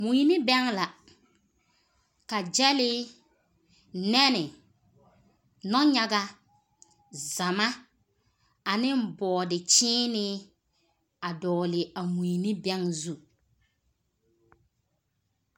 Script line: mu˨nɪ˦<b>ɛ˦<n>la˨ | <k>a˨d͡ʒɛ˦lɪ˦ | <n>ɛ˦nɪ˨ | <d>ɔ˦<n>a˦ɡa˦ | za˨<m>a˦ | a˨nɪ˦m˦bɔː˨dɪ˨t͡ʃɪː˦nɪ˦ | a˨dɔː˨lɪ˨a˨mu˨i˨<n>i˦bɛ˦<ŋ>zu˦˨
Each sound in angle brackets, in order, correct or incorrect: correct, incorrect: ŋ, correct, correct, incorrect: n, incorrect: ɲ, correct, correct, correct

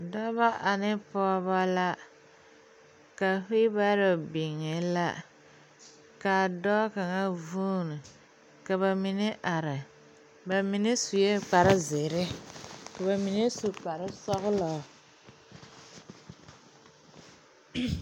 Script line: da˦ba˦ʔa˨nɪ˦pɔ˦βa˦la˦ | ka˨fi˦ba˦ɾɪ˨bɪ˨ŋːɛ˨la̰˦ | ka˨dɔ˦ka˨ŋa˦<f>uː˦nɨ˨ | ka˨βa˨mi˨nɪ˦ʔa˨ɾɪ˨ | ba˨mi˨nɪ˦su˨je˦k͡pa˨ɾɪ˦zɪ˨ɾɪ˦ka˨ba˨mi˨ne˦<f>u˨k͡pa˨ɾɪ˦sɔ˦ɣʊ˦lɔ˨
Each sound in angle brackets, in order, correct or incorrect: incorrect: v, incorrect: s

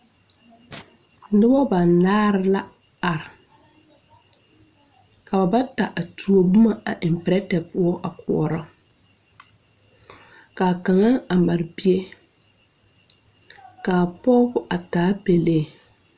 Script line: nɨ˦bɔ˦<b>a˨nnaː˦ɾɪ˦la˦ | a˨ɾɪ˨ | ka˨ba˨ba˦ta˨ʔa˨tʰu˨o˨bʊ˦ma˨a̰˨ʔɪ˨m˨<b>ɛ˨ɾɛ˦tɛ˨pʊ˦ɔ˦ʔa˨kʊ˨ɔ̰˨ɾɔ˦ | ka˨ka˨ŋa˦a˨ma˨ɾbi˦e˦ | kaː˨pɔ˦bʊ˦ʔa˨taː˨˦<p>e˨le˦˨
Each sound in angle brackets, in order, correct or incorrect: correct, incorrect: p, correct

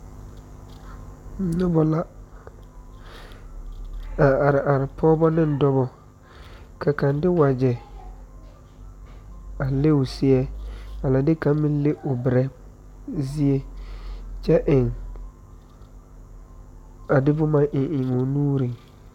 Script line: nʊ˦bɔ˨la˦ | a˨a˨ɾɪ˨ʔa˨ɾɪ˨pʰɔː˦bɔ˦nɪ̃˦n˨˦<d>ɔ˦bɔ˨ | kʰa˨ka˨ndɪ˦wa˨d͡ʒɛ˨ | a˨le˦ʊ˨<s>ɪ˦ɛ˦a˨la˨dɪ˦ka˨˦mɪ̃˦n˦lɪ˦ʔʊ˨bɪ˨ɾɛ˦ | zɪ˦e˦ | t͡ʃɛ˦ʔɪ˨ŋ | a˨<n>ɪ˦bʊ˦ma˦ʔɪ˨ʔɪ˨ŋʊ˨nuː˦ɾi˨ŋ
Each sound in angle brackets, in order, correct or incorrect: correct, correct, incorrect: d

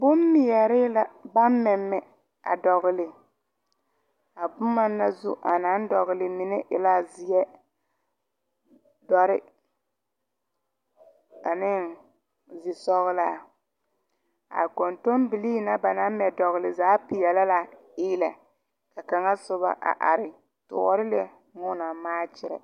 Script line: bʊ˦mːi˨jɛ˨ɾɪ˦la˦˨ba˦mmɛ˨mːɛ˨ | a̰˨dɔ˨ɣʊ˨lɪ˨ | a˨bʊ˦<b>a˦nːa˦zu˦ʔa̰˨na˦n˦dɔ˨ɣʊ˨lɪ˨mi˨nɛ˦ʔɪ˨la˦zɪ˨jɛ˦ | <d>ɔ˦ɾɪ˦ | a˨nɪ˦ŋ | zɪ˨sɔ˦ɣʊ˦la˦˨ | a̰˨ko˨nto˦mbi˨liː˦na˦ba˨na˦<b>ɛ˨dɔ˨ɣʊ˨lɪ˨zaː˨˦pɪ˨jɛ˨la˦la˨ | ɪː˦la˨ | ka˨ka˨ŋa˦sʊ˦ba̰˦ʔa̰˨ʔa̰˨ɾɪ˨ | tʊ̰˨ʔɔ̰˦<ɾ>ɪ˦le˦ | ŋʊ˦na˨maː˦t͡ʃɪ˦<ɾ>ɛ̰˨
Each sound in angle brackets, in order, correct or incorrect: incorrect: m, correct, incorrect: m, correct, correct

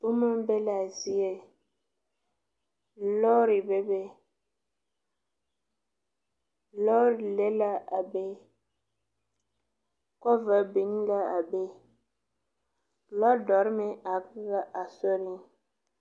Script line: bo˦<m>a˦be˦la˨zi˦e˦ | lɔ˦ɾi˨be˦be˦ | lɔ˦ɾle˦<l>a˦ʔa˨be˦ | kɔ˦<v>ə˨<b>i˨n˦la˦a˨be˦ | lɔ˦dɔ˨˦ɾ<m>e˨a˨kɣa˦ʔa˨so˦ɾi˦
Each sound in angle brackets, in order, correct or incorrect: correct, correct, correct, correct, correct

